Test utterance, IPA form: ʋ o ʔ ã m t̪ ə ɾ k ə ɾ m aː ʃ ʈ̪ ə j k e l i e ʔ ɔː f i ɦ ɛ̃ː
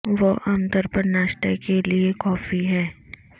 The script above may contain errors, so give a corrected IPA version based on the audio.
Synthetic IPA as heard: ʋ o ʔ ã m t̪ ə ɾ p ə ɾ n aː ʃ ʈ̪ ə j k e l i e k ɔː f i ɦ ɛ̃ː